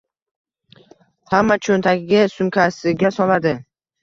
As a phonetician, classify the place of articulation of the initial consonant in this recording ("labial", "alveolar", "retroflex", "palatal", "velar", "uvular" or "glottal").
glottal